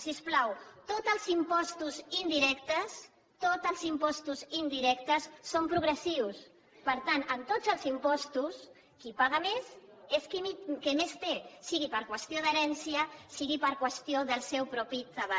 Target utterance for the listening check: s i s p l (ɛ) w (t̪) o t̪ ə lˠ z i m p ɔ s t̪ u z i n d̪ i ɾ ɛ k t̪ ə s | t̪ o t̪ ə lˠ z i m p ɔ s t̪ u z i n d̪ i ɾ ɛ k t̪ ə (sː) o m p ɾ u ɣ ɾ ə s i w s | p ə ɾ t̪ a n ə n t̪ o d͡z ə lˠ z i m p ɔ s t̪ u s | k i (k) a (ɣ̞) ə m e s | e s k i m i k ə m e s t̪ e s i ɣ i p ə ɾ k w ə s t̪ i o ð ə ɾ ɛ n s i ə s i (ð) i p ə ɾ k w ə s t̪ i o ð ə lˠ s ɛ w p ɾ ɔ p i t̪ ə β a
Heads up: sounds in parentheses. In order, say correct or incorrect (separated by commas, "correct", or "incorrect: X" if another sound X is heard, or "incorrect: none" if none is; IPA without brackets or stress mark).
incorrect: a, correct, correct, incorrect: p, correct, incorrect: ɣ